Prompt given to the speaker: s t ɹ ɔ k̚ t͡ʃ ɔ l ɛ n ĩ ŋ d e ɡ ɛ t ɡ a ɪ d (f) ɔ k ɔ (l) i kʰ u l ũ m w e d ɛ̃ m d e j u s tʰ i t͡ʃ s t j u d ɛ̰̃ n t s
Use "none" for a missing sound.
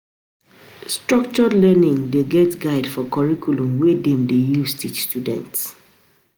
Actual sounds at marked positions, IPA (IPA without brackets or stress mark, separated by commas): f, ɹ